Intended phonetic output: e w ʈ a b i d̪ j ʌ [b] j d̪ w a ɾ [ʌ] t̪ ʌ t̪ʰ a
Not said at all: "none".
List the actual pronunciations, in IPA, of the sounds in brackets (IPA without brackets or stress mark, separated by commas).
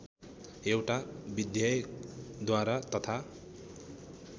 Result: none, a